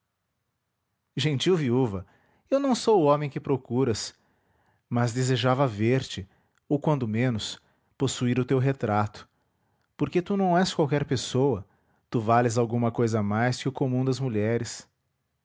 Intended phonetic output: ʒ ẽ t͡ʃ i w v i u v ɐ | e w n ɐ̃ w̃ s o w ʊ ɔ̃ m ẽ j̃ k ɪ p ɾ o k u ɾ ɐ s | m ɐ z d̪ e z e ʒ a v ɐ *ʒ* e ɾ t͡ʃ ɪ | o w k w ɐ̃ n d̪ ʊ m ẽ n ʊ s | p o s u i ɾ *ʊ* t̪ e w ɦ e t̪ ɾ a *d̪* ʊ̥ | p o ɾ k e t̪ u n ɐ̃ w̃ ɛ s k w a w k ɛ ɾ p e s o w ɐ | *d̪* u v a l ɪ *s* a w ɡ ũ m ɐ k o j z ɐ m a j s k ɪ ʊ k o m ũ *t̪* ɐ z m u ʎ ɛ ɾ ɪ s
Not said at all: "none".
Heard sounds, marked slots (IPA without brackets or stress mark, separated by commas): v, ʊ, t̪, t̪, z, d̪